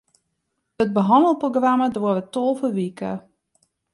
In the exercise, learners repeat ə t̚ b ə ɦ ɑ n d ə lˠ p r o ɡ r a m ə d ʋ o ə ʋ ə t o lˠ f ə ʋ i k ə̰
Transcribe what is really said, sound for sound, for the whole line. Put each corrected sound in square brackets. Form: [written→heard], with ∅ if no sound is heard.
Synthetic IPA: ə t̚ b ə ɦ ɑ n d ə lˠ p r o ɡ r a m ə d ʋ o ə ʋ ə t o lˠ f ə ʋ i k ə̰